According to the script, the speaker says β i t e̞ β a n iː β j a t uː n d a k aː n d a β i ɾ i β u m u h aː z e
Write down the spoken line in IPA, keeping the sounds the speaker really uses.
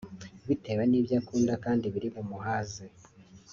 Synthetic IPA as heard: β i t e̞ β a n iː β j a k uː n d a k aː n d i β i ɾ i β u m u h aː z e